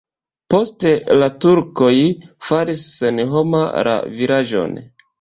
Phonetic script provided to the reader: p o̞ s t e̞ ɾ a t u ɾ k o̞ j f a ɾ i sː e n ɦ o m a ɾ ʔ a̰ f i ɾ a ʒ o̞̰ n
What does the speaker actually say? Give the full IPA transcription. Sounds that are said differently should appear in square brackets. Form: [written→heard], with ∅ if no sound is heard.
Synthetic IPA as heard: p o̞ s t e̞ [ɾ→l] a t u ɾ k o̞ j f a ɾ i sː e n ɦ o m a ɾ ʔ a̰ [f→v] i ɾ a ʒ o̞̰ n